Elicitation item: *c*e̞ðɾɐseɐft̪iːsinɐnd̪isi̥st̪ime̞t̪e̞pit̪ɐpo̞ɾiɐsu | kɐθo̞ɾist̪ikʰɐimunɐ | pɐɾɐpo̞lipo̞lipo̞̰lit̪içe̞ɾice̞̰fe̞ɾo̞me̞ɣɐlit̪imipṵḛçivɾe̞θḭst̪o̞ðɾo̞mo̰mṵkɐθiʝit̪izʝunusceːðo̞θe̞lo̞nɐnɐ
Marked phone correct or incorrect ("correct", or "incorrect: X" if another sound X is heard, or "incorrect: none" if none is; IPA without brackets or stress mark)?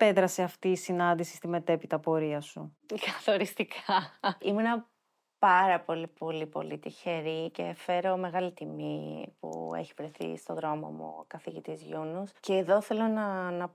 incorrect: p